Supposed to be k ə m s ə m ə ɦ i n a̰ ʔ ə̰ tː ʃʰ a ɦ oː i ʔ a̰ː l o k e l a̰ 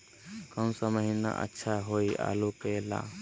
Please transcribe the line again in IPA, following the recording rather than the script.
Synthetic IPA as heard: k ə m s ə m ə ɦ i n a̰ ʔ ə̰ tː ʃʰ a ɦ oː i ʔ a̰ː l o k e l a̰